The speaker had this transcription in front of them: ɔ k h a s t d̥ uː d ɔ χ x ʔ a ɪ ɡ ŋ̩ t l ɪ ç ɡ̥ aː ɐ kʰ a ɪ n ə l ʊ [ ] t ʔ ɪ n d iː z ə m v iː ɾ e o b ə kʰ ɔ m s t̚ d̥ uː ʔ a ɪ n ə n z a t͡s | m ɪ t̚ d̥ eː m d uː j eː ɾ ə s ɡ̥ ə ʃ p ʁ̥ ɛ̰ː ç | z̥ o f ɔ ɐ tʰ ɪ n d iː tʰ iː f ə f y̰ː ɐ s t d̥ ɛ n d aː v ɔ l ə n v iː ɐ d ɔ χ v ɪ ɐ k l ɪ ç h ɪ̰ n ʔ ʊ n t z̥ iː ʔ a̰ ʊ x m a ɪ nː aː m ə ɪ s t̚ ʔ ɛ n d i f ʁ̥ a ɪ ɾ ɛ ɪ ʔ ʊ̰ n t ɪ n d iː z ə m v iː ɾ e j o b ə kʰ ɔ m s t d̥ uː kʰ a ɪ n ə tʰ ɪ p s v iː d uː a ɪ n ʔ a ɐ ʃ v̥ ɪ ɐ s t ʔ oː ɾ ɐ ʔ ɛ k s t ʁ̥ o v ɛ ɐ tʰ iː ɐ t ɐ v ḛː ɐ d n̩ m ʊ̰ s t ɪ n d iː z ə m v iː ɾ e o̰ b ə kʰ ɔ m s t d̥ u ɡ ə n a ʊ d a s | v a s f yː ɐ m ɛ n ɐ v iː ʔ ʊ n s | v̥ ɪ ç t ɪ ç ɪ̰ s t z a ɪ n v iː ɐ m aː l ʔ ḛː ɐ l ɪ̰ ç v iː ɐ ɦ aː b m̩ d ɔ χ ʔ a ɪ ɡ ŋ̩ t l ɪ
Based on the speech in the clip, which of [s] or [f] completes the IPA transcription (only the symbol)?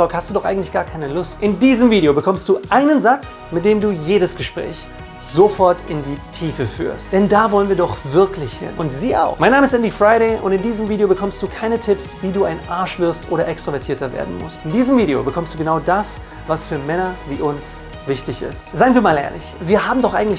s